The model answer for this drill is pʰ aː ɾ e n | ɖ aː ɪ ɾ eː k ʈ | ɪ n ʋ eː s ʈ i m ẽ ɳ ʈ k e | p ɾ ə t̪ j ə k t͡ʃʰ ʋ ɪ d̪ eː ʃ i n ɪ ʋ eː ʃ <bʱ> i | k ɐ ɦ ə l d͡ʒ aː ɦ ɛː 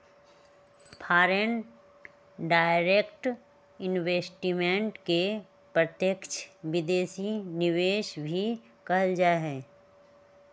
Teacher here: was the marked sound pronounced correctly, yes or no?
yes